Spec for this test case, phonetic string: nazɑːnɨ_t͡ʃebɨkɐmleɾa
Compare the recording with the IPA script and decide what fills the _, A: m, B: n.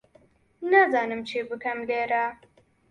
A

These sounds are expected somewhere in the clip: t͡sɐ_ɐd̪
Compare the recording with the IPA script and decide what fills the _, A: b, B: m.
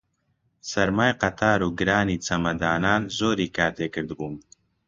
B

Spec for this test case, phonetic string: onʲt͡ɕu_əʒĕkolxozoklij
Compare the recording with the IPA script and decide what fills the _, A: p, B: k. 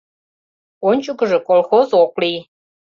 B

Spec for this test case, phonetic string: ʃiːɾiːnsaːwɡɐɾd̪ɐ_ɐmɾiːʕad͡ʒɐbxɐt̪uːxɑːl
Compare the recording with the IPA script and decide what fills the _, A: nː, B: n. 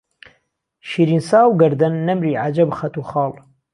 A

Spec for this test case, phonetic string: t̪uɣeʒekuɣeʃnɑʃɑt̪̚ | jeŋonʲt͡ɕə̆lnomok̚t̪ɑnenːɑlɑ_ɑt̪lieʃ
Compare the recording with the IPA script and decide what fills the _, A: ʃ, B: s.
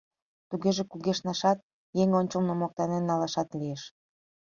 A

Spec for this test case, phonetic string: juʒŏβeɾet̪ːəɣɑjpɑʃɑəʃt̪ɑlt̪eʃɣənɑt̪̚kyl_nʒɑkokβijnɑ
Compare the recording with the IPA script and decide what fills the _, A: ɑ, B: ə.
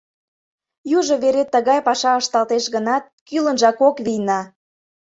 B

